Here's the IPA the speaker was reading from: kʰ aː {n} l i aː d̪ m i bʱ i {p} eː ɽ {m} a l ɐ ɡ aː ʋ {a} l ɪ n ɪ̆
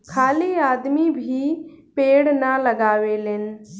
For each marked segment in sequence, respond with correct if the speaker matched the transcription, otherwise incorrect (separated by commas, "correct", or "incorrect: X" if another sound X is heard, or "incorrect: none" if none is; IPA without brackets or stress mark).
incorrect: none, correct, incorrect: n, incorrect: e